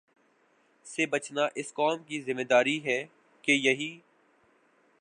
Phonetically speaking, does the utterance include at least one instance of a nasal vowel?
no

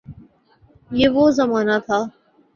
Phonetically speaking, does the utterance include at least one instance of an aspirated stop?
yes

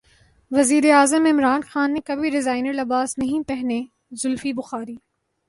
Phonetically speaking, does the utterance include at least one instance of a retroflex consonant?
no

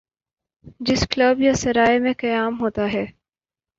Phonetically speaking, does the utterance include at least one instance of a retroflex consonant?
no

